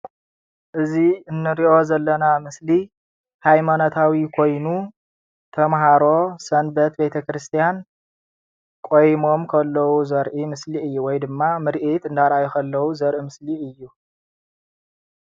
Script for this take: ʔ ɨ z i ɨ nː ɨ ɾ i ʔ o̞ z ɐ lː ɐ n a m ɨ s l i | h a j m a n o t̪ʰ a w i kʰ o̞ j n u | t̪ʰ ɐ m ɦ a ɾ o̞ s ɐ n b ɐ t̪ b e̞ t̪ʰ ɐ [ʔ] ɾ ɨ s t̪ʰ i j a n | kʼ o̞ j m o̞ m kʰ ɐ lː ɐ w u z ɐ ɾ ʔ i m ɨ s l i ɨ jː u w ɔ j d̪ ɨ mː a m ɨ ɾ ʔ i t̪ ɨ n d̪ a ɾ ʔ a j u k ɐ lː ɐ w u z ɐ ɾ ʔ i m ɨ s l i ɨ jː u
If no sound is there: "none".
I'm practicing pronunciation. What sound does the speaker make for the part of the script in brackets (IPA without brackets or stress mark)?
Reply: k